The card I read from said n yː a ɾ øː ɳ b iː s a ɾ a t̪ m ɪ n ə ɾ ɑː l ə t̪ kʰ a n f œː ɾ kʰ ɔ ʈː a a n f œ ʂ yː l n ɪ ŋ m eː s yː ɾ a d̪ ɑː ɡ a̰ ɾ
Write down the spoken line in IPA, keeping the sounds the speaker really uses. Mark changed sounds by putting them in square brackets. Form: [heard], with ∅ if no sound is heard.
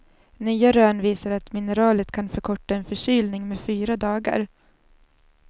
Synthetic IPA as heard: n yː a ɾ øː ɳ [v] iː s a ɾ a t̪ m ɪ n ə ɾ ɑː l ə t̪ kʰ a n f [œ] ɾ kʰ ɔ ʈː a [ɛ] n f œ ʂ yː l n ɪ ŋ m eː [f] yː ɾ a d̪ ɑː ɡ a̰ ɾ